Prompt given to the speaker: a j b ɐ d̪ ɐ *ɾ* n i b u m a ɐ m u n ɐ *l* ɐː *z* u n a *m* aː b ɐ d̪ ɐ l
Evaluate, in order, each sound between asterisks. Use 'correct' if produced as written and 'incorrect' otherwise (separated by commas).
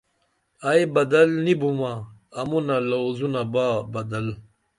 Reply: incorrect, correct, correct, incorrect